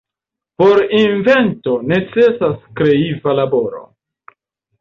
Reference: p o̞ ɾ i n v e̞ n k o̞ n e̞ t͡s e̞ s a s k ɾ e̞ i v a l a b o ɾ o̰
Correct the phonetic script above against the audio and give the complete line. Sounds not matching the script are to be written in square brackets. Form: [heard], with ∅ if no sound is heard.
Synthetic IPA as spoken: p o̞ ɾ i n v e̞ n [t] o̞ n e̞ t͡s e̞ s a s k ɾ e̞ i v a l a b o ɾ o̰

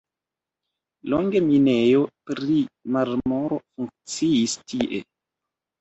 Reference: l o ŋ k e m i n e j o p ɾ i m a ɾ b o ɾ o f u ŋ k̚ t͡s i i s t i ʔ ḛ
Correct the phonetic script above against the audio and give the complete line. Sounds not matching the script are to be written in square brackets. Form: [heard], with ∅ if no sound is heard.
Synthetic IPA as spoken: l o ŋ [ɡ] e m i n e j o p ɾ i m a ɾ [m] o ɾ o f u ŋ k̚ t͡s i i s t i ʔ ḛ

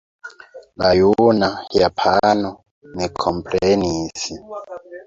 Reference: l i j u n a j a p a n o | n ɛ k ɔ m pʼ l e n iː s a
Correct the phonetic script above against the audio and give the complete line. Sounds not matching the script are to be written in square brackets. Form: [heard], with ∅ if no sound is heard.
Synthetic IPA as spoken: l [a] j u n a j a [pʰ] a n [ɔ] | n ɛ [kʰ] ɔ m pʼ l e n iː s [i]

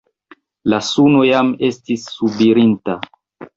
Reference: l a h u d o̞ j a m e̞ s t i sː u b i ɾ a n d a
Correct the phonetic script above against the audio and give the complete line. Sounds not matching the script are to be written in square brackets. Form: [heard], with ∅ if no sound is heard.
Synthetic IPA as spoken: l a [s] u [n] o̞ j a m e̞ s t i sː u b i ɾ [i] n [t] a

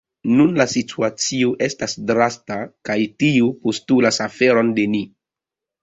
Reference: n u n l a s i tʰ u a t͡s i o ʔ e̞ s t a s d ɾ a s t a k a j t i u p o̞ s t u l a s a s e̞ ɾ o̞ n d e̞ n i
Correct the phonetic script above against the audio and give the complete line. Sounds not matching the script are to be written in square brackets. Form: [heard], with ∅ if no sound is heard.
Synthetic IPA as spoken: n u n l a s i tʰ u a t͡s i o ʔ e̞ s t a s d ɾ a s t a k a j t i u p o̞ s t u l a s a [f] e̞ ɾ o̞ n d e̞ n i

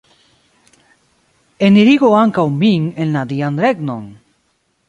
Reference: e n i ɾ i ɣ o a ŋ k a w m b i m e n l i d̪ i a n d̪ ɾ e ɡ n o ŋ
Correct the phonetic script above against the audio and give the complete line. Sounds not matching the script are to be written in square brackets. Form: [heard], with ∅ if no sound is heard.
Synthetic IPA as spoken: e n i ɾ i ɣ o a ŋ k a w m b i [ŋ] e n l [a] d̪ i a n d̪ ɾ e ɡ n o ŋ

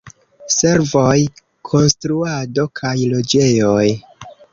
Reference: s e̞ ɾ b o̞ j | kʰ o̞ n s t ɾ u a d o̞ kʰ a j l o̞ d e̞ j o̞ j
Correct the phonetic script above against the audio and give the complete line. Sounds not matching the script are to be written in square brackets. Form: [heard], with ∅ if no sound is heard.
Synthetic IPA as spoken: s e̞ ɾ [v] o̞ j | kʰ o̞ n s t ɾ u a d o̞ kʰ a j l o̞ [d͡ʒ] e̞ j o̞ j

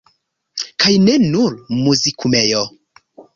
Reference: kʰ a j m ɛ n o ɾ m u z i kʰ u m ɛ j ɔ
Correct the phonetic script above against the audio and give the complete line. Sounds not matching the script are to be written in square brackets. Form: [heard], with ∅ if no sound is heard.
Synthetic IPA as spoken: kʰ a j [n] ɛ n [u] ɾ m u z i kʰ u m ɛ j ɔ

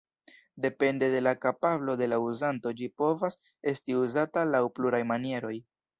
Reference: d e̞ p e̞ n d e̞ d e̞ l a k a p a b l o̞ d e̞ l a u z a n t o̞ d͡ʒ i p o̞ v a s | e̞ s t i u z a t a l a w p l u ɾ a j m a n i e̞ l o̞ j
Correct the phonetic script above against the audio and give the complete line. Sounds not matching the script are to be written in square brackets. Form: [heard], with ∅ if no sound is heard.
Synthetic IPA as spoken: d e̞ p e̞ n d e̞ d e̞ l a k a p a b l o̞ d e̞ l a u z a n t o̞ d͡ʒ i p o̞ v a s | e̞ s t i u z a t a l a w p l u ɾ a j m a n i e̞ [ɾ] o̞ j

